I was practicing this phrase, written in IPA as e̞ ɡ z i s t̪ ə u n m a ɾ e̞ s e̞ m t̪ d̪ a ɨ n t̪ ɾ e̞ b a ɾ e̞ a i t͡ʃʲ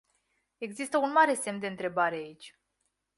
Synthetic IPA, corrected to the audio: e̞ ɡ z i s t̪ ə u n m a ɾ e̞ s e̞ m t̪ d̪ e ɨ n t̪ ɾ e̞ b a ɾ e̞ a i t͡ʃʲ